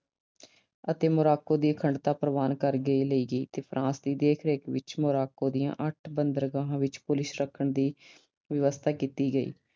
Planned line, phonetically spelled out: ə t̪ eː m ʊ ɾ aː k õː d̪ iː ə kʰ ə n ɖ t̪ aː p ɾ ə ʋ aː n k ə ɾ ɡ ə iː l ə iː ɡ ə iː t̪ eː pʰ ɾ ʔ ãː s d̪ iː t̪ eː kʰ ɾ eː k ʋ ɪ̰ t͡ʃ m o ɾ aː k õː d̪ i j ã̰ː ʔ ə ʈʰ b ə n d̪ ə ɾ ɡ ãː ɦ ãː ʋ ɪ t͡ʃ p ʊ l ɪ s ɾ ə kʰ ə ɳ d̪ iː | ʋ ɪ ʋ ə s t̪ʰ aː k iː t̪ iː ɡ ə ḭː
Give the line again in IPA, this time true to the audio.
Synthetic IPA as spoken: ə t̪ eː m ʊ ɾ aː k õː d̪ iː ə kʰ ə ɳ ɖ t̪ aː p ɾ ə ʋ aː n k ə ɾ ɡ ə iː l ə iː ɡ ə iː t̪ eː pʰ ɾ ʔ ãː s d̪ iː d̪ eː kʰ ɾ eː k ʋ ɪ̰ t͡ʃ m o ɾ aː k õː d̪ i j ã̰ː ʔ ə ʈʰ b ə n d̪ ə ɾ ɡ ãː ɦ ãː ʋ ɪ t͡ʃ p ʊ l ɪ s ɾ ə kʰ ə ɳ d̪ iː | ʋ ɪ ʋ ə s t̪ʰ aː k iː t̪ iː ɡ ə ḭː